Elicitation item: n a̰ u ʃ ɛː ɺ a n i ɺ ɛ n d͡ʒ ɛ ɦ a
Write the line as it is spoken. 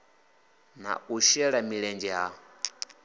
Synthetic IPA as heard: n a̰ u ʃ ɛ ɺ a m i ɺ ɛ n d͡ʒ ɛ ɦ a